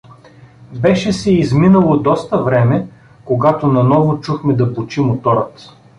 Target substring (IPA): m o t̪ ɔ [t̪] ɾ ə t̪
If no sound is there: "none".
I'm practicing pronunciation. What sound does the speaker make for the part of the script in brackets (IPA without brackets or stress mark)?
none